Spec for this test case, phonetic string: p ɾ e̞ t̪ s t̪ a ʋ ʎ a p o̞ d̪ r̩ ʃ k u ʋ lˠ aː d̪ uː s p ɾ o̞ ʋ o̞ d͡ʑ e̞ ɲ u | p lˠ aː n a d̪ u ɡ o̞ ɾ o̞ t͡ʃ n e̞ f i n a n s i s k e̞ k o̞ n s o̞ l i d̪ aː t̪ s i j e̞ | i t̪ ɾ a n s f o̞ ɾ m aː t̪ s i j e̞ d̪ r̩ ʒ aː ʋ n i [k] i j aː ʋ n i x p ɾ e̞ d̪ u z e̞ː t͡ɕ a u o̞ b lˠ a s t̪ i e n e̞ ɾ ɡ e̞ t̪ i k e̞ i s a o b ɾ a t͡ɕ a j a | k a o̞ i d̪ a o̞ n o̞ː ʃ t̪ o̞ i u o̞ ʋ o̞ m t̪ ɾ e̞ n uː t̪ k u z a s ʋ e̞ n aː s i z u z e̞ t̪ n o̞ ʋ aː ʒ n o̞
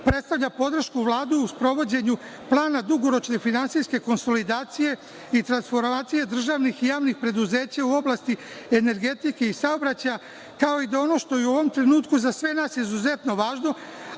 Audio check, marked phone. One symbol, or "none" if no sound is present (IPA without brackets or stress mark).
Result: x